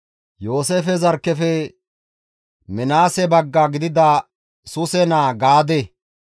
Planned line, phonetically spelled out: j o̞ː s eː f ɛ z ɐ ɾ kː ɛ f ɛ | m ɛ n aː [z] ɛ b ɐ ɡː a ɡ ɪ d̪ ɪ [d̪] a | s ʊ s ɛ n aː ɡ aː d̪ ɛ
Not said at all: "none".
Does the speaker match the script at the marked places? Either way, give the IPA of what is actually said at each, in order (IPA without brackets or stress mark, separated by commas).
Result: s, d̪